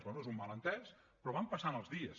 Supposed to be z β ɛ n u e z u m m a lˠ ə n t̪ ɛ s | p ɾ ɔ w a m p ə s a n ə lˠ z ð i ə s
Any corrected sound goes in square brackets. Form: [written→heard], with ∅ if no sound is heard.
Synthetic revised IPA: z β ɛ n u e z u m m a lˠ ə n t̪ ɛ s | p ɾ ɔ [w→β] a m p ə s a n ə lˠ z ð i ə s